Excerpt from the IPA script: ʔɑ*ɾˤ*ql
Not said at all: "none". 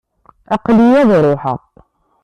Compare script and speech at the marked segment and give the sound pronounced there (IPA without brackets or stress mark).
none